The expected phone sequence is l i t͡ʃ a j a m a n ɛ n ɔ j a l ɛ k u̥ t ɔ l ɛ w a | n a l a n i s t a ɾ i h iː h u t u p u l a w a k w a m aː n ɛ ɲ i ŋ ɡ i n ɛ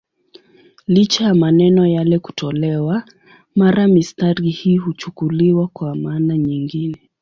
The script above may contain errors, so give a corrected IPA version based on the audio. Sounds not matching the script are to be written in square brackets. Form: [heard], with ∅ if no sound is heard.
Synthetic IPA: l i t͡ʃ a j a m a n ɛ n ɔ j a l ɛ k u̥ t ɔ l ɛ w a | [m] a [ɾ] a [m] i s t a ɾ i h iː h u [t͡ʃ] u [k] u l [i] w a k w a m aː n [a] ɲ i ŋ ɡ i n ɛ